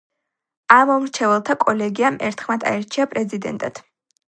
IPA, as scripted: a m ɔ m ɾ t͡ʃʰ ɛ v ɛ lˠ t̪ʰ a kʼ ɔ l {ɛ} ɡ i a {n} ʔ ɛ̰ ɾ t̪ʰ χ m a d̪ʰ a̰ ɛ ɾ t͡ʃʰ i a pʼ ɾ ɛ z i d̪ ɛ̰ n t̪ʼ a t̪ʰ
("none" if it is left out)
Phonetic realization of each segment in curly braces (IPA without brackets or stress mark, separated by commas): ɛ, m